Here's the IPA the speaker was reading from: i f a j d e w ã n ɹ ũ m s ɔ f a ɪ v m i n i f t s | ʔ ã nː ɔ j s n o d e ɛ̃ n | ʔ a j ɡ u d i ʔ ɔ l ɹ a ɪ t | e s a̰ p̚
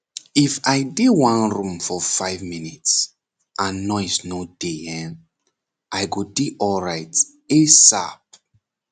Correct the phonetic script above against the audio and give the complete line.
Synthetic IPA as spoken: i f a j d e w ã n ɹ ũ m f ɔ f a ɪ v m i n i t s | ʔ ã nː ɔ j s n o d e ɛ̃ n | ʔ a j ɡ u d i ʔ ɔ l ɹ a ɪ t | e s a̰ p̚